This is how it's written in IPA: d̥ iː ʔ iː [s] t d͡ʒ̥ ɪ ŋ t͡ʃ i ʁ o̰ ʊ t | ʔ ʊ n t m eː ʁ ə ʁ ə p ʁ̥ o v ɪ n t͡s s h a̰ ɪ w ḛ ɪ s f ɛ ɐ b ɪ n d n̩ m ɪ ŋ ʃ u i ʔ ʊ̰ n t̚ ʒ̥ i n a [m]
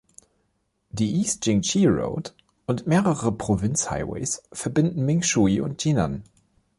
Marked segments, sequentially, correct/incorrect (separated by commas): correct, incorrect